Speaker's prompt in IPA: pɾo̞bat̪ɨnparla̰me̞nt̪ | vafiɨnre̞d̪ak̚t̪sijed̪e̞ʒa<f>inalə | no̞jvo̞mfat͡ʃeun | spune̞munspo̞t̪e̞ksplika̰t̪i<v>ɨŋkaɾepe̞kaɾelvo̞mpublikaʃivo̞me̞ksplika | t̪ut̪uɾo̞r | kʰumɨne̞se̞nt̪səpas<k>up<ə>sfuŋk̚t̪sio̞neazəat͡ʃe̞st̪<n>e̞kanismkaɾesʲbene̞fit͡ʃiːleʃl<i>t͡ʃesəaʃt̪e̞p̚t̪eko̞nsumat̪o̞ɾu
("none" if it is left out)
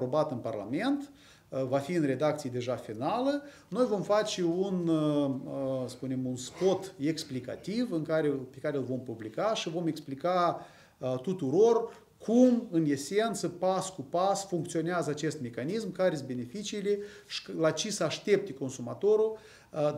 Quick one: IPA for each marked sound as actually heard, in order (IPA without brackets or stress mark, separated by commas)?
f, v, k, a, m, a